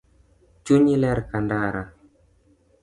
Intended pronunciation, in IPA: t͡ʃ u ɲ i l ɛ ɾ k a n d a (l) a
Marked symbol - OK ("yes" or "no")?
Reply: no